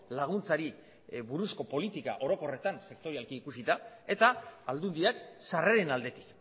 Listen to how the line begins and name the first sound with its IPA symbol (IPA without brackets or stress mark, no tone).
l